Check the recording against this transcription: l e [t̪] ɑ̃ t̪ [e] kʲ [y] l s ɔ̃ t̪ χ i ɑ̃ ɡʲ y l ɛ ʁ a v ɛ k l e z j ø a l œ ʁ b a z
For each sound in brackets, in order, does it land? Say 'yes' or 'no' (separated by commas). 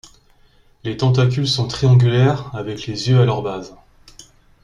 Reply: yes, no, yes